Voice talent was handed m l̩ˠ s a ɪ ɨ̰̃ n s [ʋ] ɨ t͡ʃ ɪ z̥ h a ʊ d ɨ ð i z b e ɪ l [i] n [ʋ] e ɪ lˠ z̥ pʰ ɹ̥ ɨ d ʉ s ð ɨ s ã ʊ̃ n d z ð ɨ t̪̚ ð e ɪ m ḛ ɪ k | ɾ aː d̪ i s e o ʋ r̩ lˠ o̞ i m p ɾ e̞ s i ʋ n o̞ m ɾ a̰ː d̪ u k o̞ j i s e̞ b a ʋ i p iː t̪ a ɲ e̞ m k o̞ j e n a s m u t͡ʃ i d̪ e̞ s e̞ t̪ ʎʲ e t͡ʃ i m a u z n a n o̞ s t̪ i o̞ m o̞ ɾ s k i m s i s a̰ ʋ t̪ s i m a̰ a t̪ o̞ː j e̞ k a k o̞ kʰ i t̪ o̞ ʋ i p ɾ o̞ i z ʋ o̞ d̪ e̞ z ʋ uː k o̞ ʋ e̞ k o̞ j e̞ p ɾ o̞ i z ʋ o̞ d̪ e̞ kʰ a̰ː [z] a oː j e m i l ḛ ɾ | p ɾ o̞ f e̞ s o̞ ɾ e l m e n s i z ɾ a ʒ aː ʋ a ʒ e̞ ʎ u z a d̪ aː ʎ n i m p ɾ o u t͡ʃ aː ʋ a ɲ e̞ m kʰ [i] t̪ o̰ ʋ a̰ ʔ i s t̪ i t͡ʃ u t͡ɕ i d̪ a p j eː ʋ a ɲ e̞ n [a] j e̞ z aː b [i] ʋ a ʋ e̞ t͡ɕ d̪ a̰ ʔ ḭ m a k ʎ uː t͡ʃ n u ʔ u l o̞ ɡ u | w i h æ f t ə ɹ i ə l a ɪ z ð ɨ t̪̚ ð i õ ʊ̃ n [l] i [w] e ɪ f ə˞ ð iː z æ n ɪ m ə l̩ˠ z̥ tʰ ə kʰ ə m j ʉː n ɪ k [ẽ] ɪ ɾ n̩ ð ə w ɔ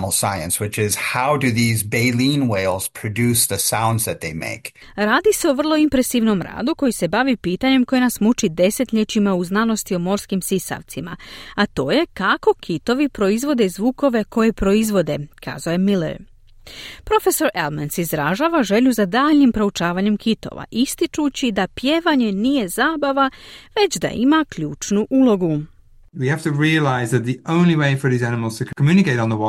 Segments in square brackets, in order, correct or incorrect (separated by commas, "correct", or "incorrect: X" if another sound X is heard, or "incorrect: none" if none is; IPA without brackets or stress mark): incorrect: w, incorrect: ĩ, incorrect: w, correct, correct, incorrect: i, incorrect: a, correct, correct, incorrect: e